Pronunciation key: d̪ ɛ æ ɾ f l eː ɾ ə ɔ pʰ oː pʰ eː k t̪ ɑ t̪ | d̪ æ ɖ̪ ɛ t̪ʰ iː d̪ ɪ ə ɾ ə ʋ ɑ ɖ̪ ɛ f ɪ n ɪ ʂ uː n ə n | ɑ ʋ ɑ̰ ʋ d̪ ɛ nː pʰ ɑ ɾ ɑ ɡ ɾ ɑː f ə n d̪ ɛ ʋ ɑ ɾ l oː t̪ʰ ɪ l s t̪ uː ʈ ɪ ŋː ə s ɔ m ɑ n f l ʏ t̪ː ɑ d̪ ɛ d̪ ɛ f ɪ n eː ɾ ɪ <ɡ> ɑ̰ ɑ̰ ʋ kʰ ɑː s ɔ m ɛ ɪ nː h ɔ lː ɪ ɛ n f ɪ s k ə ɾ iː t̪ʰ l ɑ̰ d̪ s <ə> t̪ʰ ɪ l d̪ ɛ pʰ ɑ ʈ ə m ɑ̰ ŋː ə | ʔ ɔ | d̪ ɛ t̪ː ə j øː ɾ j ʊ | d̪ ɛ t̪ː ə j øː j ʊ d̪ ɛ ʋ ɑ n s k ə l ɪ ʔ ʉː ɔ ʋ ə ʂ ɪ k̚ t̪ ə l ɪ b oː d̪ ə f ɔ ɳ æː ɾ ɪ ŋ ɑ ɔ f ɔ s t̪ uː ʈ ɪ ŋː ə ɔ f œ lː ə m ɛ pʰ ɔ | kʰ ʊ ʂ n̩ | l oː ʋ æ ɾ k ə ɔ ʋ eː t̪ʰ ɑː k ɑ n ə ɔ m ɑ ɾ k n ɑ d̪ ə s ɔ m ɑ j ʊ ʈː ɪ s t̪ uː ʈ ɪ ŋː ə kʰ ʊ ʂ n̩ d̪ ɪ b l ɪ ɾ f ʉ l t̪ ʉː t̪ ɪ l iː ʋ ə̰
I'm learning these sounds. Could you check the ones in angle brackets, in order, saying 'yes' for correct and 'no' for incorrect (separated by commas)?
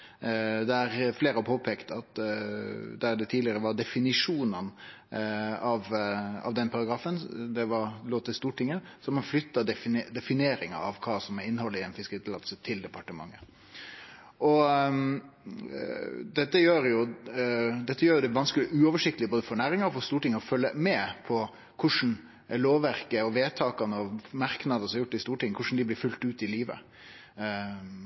no, yes